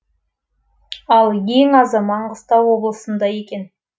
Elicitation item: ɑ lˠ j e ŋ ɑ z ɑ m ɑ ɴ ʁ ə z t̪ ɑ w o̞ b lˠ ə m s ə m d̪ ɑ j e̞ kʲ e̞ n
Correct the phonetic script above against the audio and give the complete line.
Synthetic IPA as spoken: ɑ lˠ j e ŋ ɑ z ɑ m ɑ ɴ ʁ ə s t̪ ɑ w o̞ b lˠ ə s ə n d̪ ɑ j e̞ kʲ e̞ n